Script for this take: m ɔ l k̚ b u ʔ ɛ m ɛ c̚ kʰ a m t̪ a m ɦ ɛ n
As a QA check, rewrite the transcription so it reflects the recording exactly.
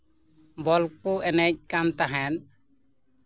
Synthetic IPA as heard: b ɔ l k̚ p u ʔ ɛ n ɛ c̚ k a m t̪ a ɦ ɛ n